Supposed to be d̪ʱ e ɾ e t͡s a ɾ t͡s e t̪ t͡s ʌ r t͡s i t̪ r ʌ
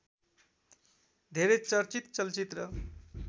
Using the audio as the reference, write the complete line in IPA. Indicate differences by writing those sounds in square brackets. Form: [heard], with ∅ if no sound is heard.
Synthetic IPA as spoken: d̪ʱ e ɾ e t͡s [ʌ] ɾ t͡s [i] t̪ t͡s ʌ [l] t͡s i t̪ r ʌ

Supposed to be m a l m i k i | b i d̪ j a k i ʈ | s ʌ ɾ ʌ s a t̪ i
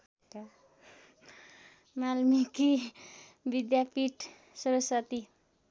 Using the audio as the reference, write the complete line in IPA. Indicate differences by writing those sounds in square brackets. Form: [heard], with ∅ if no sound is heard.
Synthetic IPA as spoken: m a l m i k i | b i d̪ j a [p] i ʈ | s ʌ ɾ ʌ s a t̪ i

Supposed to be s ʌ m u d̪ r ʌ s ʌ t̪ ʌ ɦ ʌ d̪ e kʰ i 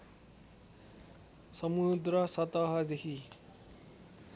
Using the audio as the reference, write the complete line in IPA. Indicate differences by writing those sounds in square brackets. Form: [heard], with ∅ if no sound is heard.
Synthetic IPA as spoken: s ʌ m u d̪ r ʌ s ʌ t̪ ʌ ɦ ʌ d̪ e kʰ i

